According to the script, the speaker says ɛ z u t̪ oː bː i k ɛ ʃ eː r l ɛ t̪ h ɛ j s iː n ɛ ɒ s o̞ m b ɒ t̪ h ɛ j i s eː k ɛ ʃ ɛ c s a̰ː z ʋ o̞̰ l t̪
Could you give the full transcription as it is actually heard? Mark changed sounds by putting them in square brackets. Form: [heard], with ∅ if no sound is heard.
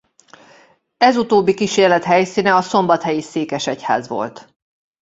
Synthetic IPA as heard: ɛ z u t̪ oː bː i k [i] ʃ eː r l ɛ t̪ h ɛ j s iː n ɛ ɒ s o̞ m b ɒ t̪ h ɛ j i s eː k ɛ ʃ ɛ c [h] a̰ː z ʋ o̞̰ l t̪